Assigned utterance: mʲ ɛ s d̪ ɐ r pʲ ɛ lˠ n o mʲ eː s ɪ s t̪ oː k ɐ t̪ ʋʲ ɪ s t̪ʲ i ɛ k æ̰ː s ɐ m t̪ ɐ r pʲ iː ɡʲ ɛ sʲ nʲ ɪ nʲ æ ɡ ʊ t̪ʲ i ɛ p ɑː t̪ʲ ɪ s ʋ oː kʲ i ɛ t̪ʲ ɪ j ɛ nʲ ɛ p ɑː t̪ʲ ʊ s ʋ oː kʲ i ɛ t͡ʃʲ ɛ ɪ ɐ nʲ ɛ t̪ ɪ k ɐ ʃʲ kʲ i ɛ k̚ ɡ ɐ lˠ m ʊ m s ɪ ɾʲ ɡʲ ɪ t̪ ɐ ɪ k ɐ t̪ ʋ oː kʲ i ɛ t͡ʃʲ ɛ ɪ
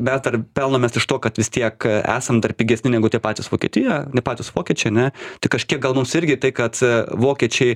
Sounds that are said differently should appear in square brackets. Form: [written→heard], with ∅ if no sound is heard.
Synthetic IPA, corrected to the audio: mʲ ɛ s d̪ ɐ r pʲ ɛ lˠ n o mʲ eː s ɪ [s→ʃ] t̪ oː k ɐ t̪ ʋʲ ɪ s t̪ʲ i ɛ k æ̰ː s ɐ m [t̪→d̪] ɐ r pʲ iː ɡʲ ɛ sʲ nʲ ɪ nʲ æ ɡ ʊ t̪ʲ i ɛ p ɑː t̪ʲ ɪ s ʋ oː kʲ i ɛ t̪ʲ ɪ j ɛ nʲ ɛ p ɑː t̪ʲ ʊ s ʋ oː kʲ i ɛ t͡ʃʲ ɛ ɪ ɐ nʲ ɛ t̪ ɪ k ɐ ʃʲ kʲ i ɛ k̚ ɡ ɐ lˠ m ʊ m s ɪ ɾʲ ɡʲ ɪ t̪ ɐ ɪ k ɐ t̪ ʋ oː kʲ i ɛ t͡ʃʲ ɛ ɪ